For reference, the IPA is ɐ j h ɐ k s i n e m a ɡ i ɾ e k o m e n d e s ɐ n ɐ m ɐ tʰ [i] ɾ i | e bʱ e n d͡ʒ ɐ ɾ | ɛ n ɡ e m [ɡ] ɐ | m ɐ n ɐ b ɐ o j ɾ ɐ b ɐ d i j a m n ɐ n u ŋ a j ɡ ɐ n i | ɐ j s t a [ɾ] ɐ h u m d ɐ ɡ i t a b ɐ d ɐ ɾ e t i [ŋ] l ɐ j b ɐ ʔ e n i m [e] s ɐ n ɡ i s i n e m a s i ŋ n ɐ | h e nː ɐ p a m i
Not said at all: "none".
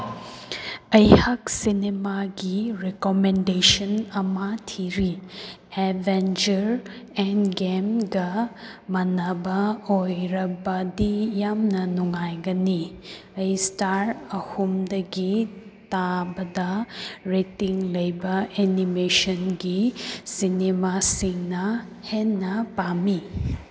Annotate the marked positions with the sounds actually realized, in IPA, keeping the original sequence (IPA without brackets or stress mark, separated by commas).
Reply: i, ɡ, ɾ, ŋ, e